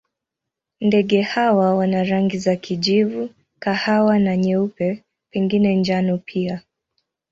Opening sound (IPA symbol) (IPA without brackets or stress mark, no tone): n